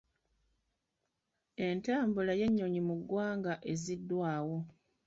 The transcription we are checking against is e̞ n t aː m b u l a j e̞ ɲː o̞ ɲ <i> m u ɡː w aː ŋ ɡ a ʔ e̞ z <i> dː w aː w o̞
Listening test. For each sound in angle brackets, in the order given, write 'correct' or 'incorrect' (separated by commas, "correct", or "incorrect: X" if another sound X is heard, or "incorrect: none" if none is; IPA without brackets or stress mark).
correct, correct